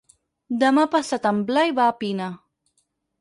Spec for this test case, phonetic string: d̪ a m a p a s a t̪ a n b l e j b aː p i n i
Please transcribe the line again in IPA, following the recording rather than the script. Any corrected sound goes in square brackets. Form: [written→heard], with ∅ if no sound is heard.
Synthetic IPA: d̪ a m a p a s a t̪ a [n→m] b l [e→a] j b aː p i n [i→a]